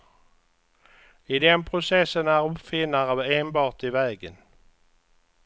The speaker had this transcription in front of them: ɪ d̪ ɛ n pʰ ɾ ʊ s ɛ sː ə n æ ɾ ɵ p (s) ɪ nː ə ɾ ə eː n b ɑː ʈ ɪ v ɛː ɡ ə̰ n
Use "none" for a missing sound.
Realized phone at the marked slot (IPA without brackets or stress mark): f